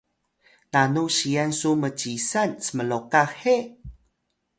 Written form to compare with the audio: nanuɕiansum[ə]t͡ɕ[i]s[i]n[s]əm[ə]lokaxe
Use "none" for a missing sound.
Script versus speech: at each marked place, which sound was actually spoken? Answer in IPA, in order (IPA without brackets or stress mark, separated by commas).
ə, i, a, s, ə